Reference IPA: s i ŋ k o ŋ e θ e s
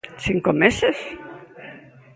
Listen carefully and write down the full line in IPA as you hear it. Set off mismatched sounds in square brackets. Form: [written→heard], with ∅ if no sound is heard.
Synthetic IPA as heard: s i ŋ k o [ŋ→m] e [θ→s] e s